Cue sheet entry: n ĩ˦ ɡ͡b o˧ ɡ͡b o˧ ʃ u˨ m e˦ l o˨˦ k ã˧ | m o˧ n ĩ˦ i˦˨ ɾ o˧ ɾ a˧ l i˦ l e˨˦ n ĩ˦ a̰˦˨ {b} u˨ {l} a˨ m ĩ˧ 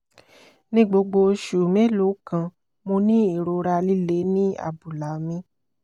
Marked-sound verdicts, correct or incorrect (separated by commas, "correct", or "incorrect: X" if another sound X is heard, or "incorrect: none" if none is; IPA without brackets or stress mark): correct, correct